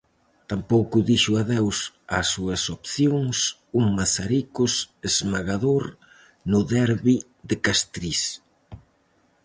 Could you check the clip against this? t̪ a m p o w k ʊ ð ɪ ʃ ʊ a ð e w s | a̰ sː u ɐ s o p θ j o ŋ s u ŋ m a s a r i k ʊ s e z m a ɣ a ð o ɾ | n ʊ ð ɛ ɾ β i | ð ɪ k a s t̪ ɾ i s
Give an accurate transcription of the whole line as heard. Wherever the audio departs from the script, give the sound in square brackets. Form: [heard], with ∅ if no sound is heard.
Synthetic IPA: t̪ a m p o w k ʊ ð [i] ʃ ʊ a ð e w s | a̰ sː u ɐ s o p θ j o ŋ s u ŋ m a s a [ɾ] i k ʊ s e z m a ɣ a ð o ɾ | n ʊ ð ɛ ɾ β i | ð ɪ k a s t̪ ɾ i s